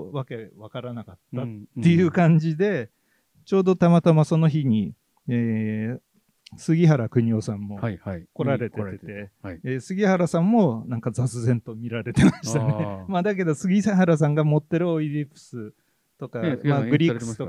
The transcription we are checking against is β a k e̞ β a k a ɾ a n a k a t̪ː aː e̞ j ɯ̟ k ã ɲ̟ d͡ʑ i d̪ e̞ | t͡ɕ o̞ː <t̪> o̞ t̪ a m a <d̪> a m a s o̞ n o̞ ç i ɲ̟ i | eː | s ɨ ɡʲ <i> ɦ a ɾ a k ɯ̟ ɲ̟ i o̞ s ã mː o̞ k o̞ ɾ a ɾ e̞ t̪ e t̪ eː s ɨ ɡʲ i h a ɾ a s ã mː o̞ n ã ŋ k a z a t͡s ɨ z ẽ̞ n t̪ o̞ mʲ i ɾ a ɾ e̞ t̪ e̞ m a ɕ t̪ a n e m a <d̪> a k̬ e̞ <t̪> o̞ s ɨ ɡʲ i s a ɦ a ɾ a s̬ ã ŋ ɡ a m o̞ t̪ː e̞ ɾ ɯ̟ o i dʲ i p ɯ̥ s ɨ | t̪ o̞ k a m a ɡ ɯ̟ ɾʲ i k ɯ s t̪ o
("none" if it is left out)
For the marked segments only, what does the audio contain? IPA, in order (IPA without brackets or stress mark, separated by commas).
d̪, t̪, i, d̪, d̪